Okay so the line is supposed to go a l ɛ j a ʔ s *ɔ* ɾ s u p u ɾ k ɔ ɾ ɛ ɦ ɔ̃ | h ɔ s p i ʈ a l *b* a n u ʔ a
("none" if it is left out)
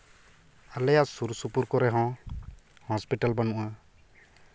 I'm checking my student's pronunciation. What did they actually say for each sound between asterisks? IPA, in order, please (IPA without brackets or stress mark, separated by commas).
u, b